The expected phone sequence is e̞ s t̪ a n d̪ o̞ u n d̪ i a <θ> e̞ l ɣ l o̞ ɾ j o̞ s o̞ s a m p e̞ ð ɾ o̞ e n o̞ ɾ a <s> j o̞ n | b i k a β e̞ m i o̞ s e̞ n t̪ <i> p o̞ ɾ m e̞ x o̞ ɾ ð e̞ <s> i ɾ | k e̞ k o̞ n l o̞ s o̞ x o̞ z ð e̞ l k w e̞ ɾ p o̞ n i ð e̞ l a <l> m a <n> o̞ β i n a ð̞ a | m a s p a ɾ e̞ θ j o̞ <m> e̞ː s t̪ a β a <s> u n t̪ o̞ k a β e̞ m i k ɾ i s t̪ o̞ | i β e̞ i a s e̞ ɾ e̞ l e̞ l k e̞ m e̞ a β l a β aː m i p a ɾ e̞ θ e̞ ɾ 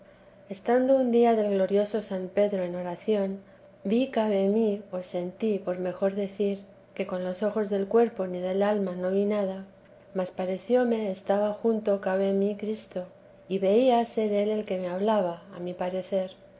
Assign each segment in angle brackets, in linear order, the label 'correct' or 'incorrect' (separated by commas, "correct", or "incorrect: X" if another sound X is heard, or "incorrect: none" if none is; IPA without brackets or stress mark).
incorrect: ð, incorrect: θ, correct, incorrect: θ, correct, correct, correct, incorrect: x